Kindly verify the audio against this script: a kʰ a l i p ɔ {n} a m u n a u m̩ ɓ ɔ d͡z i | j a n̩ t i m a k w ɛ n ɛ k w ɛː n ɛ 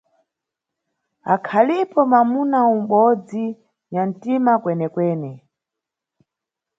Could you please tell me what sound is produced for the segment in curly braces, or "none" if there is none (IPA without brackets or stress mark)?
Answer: m